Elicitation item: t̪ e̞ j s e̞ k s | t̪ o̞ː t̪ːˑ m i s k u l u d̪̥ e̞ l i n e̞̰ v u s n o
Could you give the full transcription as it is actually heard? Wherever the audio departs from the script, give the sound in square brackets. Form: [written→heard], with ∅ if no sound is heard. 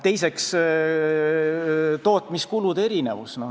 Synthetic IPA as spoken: t̪ e̞ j s e̞ k s | t̪ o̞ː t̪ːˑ m i s k u l u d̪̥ e̞ [l→ɾ] i n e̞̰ v u s n o